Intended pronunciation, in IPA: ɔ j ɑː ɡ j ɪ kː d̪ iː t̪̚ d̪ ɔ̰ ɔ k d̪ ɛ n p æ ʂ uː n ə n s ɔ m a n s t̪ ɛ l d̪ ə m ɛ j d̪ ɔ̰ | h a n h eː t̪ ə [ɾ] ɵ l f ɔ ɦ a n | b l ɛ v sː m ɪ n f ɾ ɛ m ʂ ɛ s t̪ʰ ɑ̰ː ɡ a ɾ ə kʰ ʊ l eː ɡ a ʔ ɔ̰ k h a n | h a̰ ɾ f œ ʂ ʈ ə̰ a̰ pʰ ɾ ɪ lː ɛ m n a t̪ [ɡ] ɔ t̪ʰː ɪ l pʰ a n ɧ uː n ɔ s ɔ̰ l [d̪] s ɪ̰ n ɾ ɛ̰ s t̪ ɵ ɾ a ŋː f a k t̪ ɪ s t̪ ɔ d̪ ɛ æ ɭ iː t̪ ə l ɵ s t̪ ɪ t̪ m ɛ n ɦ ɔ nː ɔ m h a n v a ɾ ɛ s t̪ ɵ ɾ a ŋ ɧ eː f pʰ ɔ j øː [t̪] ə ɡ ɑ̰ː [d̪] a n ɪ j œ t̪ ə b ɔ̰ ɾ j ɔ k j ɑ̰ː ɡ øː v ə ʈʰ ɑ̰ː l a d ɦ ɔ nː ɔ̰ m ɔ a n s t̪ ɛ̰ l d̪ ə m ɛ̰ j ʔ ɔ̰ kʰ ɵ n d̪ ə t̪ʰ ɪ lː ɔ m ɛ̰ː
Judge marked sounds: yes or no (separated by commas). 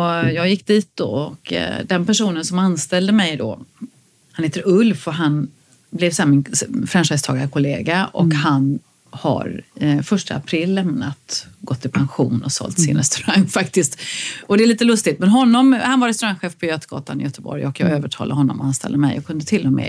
yes, yes, no, yes, no